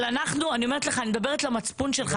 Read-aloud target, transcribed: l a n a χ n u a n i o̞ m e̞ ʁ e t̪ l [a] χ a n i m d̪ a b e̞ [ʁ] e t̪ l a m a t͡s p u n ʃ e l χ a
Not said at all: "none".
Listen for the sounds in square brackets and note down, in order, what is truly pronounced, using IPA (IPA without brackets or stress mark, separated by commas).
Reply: e, ʁ